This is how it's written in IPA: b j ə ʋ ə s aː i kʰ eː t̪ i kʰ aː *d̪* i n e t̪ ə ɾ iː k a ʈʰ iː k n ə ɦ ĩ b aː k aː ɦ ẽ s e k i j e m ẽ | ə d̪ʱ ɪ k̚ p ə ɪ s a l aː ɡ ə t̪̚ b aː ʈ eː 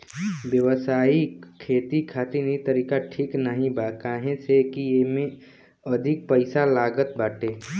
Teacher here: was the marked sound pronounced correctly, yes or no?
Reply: no